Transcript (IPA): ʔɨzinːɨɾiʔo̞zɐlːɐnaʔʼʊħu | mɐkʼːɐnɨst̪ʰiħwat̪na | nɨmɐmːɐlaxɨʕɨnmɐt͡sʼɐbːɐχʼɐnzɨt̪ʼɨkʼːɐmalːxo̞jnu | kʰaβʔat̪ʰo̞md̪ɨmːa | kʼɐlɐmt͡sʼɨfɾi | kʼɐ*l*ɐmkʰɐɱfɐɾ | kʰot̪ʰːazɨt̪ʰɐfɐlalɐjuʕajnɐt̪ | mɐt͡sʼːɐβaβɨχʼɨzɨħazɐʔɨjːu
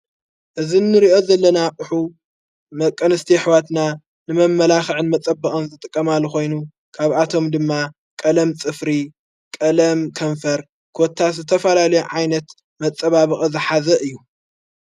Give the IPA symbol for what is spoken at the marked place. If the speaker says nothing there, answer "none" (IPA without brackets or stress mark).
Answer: l